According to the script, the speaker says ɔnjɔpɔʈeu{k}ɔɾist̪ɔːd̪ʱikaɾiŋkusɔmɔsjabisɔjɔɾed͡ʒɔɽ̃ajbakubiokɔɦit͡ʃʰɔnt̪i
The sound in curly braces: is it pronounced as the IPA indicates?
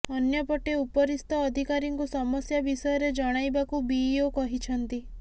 no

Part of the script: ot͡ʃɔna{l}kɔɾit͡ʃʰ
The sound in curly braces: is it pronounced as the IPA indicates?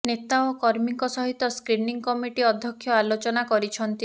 no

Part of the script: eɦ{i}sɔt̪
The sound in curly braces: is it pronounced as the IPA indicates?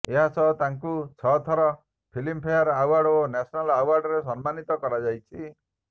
no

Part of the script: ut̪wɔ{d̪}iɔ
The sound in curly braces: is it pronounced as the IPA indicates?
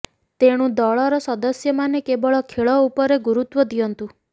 yes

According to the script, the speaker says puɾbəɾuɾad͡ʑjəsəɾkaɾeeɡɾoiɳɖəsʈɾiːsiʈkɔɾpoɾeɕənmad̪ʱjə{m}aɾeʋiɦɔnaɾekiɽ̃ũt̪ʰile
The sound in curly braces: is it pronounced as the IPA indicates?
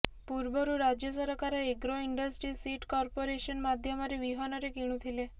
yes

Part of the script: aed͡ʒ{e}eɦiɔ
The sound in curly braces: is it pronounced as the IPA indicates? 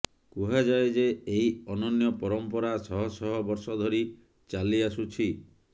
yes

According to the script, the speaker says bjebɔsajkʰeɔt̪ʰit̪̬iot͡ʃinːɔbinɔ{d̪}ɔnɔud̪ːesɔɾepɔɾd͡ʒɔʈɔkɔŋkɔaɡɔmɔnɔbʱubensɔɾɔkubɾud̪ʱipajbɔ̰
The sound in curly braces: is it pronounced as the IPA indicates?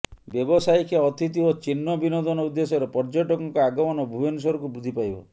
yes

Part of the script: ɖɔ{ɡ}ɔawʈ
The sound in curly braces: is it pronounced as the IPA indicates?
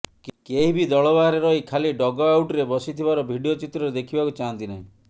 yes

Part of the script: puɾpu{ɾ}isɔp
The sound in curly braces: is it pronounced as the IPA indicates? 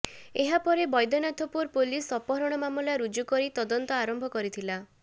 no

